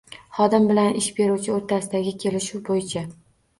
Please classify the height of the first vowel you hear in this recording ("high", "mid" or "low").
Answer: low